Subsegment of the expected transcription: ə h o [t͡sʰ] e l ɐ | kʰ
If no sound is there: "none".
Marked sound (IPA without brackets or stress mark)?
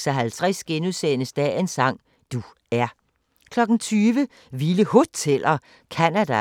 t͡sʰ